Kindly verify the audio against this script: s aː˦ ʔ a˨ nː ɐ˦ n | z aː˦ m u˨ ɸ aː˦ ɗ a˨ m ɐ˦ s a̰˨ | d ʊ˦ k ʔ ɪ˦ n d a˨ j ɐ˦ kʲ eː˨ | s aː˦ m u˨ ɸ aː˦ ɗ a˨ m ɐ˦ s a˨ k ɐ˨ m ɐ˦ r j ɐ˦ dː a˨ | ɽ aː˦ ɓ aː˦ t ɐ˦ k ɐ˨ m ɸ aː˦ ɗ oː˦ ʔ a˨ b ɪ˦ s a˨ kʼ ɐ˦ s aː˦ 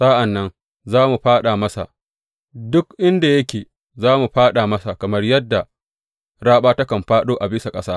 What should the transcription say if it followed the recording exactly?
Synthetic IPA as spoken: s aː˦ ʔ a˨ nː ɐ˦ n | z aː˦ m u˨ ɸ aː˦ ɗ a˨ m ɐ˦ s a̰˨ | d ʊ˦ k ʔ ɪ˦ n d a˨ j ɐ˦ kʲ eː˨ | z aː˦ m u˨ ɸ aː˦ ɗ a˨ m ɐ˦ s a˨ k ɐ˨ m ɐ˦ r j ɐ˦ dː a˨ | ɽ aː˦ ɓ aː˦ t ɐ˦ k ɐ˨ m ɸ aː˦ ɗ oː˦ ʔ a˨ b ɪ˦ s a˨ kʼ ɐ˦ s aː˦